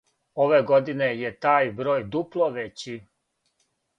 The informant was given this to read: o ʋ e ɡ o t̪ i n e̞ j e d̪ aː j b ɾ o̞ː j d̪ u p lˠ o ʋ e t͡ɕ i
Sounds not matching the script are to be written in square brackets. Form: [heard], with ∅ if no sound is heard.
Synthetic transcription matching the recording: o ʋ e ɡ o [d̪] i n e̞ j e [t̪] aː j b ɾ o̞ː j d̪ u p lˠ o ʋ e t͡ɕ i

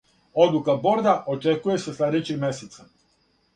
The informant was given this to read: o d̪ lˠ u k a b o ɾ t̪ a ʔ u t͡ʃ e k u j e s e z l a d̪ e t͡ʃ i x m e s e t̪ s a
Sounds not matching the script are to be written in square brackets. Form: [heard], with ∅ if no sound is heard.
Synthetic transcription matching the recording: o d̪ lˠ u k a b o ɾ [d̪] a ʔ [o] t͡ʃ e k u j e s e [s] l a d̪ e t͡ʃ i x m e s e t̪ s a

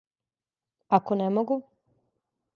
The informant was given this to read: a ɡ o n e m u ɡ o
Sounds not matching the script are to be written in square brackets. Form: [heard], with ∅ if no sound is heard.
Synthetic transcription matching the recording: a [k] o n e m [o] ɡ [u]

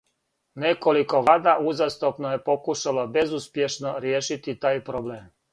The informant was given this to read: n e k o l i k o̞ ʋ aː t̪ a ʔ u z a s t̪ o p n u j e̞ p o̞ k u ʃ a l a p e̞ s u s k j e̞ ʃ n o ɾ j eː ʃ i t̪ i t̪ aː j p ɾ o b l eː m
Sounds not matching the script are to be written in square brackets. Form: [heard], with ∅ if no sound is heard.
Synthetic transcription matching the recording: n e k o l i k o̞ ʋ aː [d̪] a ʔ u z a s t̪ o p n [o] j e̞ p o̞ k u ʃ a l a [b] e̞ [z] u s [p] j e̞ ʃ n o ɾ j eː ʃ i t̪ i t̪ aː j p ɾ o b l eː m

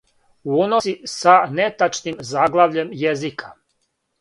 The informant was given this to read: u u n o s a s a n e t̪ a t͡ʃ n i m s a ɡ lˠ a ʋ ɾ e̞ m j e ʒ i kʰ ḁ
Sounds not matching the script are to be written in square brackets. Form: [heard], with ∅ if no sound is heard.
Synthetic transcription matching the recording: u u n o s [i] s a n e t̪ a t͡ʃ n i m [z] a ɡ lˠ a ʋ [ʎ] e̞ m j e [z] i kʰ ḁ

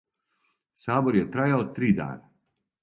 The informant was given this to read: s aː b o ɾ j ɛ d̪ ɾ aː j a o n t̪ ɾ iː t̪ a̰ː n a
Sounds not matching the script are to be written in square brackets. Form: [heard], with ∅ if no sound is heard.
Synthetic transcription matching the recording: s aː b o ɾ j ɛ [t̪] ɾ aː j a o [∅] t̪ ɾ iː [d̪] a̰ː n a

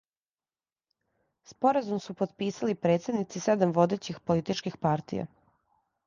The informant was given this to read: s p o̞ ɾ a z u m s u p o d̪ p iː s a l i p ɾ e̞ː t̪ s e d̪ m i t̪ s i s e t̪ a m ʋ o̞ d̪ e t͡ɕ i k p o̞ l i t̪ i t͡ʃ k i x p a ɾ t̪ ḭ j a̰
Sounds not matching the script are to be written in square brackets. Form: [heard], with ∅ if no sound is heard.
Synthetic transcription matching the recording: s p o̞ ɾ a z u m s u p o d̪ p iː s a l i p ɾ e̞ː t̪ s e d̪ [n] i t̪ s i s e [d̪] a m ʋ o̞ d̪ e t͡ɕ i [x] p o̞ l i t̪ i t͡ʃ k i x p a ɾ t̪ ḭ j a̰

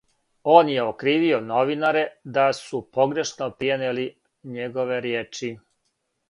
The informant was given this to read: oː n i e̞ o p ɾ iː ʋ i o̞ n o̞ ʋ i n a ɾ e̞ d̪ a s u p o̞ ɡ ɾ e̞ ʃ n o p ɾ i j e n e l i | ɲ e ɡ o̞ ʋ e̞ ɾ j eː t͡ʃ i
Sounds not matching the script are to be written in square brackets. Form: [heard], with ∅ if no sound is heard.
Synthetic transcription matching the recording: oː n [j] e̞ o [k] ɾ iː ʋ i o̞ n o̞ ʋ i n a ɾ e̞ d̪ a s u p o̞ ɡ ɾ e̞ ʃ n o p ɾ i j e n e l i | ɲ e ɡ o̞ ʋ e̞ ɾ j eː t͡ʃ i

